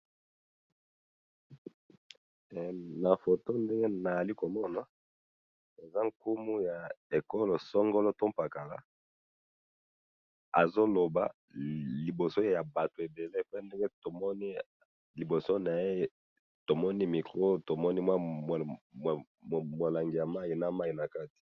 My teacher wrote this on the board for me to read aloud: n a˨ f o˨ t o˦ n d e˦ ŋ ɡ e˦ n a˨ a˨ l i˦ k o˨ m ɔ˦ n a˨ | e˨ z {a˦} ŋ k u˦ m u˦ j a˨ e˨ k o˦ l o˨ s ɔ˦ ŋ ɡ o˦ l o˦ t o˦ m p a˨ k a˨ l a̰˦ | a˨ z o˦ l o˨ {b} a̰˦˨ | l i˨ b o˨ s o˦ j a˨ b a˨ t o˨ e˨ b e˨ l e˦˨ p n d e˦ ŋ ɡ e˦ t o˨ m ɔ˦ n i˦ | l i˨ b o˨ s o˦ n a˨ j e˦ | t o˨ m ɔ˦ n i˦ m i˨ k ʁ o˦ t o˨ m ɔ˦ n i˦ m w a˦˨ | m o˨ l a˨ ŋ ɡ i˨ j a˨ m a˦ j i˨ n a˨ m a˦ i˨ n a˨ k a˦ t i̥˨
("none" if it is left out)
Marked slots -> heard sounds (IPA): a˦, b

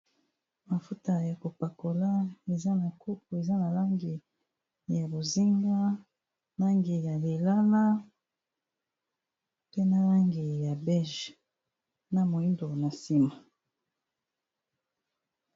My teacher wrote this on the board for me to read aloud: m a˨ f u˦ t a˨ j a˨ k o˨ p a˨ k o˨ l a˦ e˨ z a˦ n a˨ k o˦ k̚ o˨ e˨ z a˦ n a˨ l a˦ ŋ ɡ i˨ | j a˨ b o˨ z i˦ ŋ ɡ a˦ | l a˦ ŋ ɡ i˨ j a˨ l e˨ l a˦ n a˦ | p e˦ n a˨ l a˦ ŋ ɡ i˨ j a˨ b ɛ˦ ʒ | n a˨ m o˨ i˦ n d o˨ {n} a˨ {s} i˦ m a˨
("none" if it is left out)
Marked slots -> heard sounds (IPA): n, s

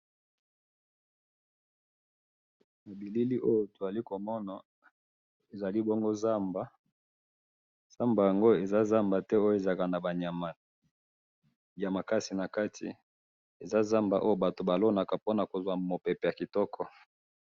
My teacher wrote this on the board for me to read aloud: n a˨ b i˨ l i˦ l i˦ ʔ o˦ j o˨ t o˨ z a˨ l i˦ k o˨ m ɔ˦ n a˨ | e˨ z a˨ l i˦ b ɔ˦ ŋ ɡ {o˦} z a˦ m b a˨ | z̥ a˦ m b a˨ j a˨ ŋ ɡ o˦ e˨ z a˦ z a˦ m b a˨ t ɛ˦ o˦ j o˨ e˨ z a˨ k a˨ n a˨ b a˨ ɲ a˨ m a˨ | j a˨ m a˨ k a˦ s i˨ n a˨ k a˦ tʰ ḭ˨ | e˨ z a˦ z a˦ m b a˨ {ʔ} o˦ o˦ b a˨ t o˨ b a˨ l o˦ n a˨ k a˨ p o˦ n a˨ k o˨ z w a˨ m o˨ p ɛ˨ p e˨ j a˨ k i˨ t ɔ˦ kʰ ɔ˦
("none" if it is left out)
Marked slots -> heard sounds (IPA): o˦, ʔ

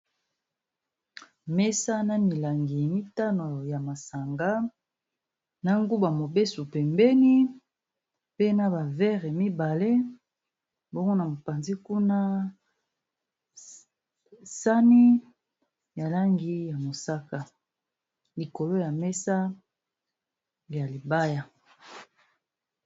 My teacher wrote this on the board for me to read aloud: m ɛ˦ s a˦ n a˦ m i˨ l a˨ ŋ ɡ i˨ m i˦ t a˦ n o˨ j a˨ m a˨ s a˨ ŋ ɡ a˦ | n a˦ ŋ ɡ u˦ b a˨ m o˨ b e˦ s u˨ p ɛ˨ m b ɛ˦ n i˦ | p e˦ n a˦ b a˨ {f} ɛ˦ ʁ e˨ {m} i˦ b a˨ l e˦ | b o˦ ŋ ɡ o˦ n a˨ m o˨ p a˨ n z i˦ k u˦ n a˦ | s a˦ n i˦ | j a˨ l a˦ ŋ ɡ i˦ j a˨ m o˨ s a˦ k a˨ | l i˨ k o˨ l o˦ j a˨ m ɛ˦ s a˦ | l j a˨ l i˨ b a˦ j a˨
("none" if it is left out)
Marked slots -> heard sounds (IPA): v, m

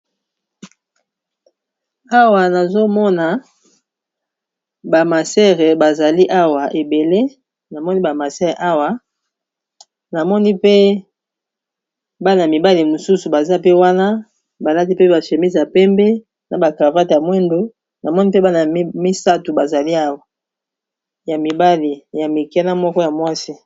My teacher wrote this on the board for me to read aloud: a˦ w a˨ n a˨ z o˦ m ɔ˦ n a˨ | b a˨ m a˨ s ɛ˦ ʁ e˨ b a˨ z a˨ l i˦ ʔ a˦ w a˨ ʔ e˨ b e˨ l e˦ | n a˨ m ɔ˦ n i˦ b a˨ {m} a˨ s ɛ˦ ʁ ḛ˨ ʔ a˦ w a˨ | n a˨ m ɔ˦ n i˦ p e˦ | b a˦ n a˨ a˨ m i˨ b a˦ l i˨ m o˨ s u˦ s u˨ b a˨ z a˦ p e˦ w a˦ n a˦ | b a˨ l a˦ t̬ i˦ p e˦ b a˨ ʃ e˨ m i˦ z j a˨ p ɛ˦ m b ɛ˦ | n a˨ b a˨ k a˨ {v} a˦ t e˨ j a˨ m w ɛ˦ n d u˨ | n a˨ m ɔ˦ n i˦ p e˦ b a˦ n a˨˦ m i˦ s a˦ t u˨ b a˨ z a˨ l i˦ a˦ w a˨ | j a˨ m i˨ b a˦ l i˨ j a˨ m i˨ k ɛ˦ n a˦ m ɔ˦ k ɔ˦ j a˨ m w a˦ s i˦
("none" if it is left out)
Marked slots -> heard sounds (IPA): m, v

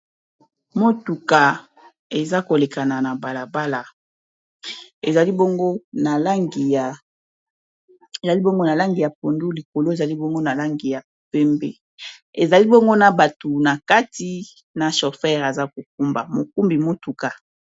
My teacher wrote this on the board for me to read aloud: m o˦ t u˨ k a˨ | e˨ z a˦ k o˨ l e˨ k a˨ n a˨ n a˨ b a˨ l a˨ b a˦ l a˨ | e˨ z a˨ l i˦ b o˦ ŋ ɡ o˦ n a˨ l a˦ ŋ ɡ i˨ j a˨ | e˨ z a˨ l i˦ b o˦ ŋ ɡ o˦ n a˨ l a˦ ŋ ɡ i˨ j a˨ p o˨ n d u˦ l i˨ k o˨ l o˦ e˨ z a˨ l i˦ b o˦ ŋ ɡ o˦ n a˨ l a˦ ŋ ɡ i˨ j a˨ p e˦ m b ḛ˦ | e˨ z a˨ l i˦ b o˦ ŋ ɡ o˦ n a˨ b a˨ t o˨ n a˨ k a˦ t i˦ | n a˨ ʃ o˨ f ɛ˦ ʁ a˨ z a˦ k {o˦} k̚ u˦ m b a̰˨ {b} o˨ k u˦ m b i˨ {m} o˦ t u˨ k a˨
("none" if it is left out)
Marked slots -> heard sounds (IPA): o˨, m, m

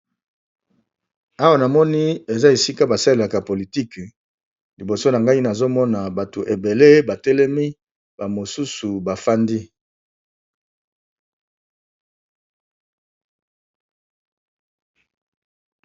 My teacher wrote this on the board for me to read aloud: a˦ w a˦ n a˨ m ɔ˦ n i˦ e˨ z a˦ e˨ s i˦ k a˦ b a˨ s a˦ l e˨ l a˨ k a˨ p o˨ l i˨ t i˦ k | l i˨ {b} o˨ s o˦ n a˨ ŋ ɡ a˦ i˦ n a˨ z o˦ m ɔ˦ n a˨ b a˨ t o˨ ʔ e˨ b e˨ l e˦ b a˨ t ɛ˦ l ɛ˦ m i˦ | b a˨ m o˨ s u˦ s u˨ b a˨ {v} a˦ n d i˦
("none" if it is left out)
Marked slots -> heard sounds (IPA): b, f

